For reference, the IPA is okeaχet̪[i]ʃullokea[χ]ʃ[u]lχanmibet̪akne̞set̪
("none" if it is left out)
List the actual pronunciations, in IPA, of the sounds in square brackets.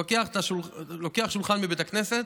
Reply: a, χ, u

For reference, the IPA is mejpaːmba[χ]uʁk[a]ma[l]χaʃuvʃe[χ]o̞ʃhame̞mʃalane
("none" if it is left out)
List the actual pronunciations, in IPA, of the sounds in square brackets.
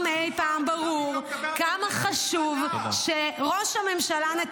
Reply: ʁ, a, none, ʁ

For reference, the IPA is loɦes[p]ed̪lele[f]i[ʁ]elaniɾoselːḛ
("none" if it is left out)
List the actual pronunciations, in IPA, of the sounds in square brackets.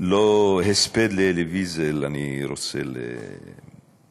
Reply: p, v, z

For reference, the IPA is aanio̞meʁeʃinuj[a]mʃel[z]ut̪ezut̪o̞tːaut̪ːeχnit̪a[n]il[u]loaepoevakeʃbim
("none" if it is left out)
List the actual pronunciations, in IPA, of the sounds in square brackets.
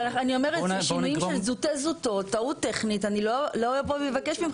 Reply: i, z, n, o

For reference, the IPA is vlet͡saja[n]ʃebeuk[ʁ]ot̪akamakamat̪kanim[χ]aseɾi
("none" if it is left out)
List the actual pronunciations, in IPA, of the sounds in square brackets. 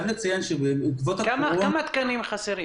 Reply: n, v, χ

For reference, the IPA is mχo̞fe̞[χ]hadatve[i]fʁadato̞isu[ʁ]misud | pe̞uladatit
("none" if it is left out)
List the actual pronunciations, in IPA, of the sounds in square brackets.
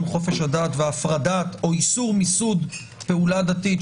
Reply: ʃ, a, ʁ

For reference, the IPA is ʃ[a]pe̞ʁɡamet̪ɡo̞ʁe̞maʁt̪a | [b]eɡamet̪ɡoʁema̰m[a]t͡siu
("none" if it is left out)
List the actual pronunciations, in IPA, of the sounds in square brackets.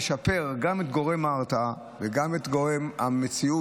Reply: a, v, e

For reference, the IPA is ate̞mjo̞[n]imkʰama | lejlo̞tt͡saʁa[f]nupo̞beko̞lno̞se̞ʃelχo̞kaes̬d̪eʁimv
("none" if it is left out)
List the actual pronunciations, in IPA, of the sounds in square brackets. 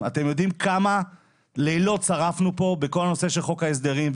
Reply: d, f

